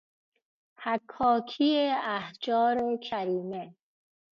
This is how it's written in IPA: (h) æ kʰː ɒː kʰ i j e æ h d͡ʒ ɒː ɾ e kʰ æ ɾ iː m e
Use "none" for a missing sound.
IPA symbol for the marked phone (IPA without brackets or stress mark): h